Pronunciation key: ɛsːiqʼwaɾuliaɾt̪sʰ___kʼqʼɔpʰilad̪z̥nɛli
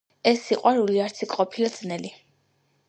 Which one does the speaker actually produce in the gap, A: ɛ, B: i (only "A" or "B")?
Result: B